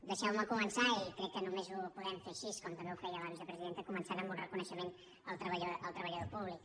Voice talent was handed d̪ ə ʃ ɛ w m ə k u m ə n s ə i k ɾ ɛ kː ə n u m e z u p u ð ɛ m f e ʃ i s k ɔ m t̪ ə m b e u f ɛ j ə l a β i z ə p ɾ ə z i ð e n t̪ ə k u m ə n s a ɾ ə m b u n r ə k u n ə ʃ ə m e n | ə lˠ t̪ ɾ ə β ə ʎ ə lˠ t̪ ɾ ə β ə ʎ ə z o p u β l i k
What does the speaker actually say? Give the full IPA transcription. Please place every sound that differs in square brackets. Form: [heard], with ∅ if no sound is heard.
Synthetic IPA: d̪ ə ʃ ɛ w m ə k u m ə n s [a] i k ɾ ɛ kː ə n u m e z u p u ð ɛ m f e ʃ i s k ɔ m t̪ ə m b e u f ɛ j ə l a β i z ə p ɾ ə z i ð e n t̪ ə k u m ə n s a ɾ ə m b u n r ə k u n ə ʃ ə m e n | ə lˠ t̪ ɾ ə β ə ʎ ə lˠ t̪ ɾ ə β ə ʎ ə [ð] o p u β l i k